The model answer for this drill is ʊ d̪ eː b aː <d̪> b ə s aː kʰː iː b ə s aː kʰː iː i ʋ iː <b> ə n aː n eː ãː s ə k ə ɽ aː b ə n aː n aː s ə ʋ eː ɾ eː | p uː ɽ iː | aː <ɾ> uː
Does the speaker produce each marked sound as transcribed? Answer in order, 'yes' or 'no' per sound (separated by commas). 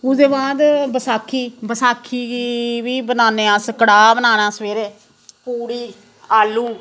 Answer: yes, yes, no